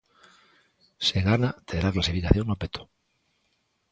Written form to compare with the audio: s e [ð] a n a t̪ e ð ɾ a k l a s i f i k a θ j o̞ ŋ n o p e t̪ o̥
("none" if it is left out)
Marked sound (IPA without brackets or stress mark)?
ɣ